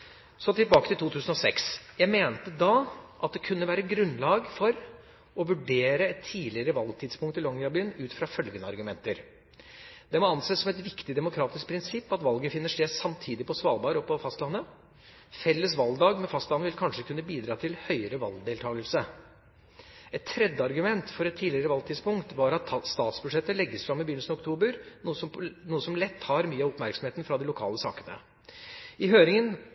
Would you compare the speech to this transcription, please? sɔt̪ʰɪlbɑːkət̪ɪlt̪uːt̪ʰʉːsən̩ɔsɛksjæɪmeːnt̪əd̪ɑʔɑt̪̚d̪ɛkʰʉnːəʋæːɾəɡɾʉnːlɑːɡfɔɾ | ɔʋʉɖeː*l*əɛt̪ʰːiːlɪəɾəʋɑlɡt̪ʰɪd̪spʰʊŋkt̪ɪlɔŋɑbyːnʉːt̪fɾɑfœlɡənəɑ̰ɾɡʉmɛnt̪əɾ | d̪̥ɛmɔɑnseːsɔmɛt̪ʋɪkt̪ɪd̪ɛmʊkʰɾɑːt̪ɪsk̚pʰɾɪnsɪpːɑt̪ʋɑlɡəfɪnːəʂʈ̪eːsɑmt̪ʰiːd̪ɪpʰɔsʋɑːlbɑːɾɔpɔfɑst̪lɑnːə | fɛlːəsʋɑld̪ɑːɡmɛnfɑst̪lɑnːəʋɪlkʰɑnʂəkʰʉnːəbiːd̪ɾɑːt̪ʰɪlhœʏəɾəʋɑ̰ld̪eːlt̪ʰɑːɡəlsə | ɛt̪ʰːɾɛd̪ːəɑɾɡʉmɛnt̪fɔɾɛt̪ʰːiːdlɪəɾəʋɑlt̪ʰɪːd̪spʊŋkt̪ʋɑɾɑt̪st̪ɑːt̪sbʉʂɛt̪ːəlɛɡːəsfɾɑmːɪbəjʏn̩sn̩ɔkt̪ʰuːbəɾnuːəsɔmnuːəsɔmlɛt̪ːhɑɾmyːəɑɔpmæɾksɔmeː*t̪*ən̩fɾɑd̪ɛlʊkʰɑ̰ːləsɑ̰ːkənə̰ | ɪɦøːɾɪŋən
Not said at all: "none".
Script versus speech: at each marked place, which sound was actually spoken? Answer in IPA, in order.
ɾ, t̪

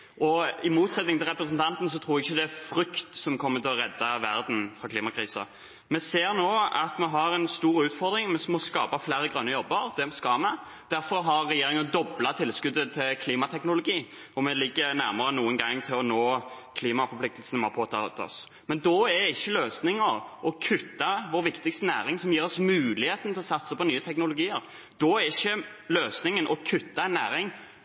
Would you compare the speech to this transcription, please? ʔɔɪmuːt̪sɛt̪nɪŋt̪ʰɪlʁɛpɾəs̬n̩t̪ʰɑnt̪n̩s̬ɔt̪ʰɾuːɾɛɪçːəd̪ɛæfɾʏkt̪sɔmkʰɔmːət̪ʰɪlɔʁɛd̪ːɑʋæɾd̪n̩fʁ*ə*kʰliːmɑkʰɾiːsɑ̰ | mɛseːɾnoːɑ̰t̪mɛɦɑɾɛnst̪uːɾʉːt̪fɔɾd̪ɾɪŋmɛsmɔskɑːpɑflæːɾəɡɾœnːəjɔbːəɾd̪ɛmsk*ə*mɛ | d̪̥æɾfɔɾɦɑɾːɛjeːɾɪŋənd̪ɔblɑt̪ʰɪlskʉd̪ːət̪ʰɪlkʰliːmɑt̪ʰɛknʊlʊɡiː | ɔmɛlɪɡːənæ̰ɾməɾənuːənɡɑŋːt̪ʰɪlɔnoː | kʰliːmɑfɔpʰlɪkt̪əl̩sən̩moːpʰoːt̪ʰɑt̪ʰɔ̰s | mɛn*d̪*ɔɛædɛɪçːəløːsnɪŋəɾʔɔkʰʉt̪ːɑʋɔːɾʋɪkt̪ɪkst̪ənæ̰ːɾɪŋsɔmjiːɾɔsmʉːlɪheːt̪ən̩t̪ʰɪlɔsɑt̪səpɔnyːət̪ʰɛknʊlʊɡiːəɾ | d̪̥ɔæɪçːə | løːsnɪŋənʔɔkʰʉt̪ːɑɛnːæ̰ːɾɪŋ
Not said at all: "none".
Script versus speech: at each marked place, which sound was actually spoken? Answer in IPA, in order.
ɑ, ɑ, d̪

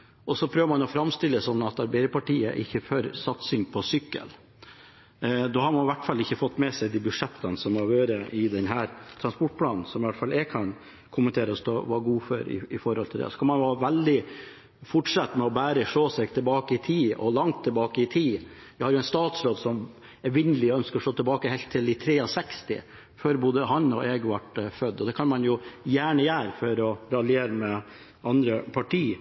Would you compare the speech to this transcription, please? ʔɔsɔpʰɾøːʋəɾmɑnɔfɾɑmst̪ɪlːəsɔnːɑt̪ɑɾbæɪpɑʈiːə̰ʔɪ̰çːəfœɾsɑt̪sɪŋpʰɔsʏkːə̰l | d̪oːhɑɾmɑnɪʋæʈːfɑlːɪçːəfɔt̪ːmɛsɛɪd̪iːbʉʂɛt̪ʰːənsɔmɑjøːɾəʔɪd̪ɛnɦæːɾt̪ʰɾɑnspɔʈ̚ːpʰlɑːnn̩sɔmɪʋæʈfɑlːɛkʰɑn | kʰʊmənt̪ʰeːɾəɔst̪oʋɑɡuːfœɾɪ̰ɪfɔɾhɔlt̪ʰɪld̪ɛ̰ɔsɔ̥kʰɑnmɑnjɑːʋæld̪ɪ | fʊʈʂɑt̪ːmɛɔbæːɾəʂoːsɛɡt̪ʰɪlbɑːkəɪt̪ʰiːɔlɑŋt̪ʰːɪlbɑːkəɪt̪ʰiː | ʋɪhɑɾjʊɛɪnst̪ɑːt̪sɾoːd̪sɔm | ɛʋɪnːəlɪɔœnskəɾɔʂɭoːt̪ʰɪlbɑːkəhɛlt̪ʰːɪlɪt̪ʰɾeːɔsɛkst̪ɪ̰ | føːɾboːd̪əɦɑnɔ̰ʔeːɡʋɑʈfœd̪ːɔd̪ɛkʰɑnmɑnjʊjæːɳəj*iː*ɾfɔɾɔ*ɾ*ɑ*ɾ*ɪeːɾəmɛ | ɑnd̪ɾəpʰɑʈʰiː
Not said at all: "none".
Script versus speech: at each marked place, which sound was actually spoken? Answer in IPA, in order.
æː, ɾ, l

